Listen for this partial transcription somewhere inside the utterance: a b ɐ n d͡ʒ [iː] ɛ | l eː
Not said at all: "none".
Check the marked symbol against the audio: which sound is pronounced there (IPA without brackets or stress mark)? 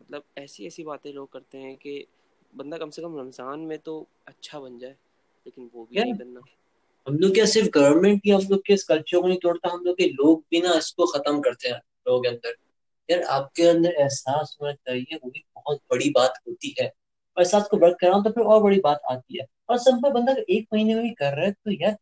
aː